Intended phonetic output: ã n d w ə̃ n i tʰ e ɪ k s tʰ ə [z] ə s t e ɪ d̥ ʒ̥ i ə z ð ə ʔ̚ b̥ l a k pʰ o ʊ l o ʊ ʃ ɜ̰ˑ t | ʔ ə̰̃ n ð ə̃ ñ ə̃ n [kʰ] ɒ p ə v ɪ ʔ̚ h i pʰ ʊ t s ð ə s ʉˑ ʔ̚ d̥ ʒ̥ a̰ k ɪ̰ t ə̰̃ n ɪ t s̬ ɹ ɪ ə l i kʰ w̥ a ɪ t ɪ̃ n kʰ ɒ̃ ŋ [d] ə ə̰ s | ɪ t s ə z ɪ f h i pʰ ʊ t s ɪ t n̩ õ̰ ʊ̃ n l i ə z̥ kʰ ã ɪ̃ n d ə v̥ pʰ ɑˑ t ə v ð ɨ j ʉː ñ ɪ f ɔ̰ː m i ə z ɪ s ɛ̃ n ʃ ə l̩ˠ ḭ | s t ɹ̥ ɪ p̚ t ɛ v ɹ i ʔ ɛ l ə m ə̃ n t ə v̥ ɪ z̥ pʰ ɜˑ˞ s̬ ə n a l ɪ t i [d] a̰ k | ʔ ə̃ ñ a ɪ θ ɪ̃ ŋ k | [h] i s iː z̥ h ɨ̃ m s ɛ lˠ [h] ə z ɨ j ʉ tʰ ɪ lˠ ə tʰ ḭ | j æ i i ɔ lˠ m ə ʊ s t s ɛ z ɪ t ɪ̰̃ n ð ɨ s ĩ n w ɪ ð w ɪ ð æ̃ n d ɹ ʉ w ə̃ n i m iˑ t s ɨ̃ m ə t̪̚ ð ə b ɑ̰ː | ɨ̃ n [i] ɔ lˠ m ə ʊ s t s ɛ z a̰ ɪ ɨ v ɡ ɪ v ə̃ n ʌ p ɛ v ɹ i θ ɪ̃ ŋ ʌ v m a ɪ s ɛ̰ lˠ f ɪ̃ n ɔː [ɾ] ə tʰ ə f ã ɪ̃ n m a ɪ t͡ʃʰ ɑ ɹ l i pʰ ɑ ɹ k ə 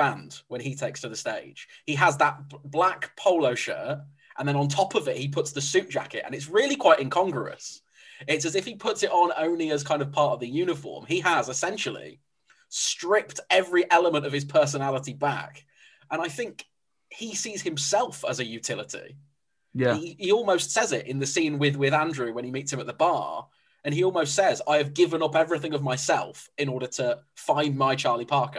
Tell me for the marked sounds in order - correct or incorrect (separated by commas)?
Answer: incorrect, incorrect, incorrect, incorrect, correct, incorrect, correct, correct